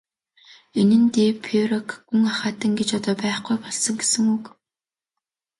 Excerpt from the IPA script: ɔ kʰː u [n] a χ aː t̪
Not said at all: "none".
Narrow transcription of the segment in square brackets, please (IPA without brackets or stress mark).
ŋ